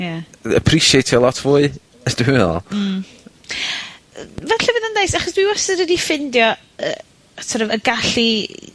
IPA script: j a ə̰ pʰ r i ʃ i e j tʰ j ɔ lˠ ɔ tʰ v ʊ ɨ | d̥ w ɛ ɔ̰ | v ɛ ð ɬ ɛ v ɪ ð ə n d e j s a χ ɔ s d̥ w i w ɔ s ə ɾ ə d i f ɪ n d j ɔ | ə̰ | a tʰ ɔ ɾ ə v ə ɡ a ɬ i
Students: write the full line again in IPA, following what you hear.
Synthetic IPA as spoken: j a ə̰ pʰ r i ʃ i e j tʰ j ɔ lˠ ɔ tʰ v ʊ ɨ | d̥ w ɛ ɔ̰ | v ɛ ɬ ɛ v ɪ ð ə n d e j s a χ ɔ s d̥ w i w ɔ s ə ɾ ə d i f ɪ n d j ɔ | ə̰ | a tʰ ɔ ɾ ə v ə ɡ a ɬ i